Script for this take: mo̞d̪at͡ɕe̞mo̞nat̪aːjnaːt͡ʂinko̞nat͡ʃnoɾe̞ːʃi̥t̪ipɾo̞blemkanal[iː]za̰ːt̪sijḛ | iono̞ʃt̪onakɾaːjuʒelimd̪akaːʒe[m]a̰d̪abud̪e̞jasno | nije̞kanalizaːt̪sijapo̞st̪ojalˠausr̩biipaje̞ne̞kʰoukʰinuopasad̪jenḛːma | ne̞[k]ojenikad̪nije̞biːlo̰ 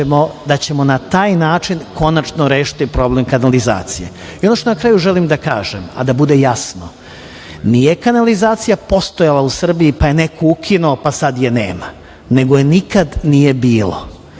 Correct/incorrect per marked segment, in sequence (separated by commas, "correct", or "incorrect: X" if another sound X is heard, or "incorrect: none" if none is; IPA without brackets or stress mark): incorrect: i, correct, incorrect: ɡ